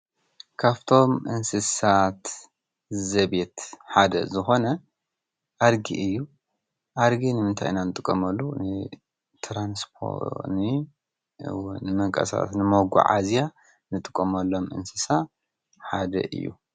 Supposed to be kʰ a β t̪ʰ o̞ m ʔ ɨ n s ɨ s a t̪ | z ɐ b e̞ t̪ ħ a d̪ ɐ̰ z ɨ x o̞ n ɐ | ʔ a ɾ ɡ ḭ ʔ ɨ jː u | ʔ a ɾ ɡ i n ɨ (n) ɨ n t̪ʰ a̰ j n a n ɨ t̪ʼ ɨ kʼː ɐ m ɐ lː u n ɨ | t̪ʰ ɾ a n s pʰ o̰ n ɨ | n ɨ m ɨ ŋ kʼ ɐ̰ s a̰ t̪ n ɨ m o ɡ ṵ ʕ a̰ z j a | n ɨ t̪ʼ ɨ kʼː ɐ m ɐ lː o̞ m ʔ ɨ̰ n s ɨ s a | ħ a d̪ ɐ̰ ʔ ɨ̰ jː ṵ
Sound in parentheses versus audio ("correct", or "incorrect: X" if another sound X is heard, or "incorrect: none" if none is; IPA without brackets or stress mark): incorrect: m